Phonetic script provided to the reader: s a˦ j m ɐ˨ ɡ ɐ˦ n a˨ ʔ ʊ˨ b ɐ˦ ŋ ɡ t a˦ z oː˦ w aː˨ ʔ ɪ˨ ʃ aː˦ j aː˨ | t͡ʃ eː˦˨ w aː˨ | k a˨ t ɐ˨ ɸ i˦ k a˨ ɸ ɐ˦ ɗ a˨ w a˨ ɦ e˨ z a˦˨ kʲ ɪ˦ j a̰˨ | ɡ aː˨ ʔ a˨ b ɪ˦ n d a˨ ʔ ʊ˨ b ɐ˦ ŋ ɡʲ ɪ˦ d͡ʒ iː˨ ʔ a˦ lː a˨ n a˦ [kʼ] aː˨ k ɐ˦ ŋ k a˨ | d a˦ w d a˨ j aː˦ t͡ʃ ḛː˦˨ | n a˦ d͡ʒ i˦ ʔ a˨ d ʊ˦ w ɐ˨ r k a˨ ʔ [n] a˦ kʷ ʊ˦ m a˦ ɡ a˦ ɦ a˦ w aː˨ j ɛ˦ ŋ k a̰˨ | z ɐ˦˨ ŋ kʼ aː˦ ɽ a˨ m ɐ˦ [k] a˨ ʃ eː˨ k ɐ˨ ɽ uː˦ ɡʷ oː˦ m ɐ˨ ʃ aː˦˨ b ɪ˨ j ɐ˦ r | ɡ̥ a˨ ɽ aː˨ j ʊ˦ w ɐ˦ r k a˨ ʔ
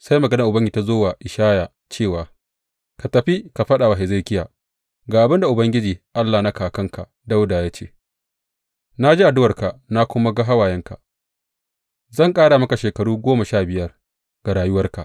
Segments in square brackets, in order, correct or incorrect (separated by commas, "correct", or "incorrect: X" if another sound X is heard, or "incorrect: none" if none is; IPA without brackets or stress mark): incorrect: k, correct, correct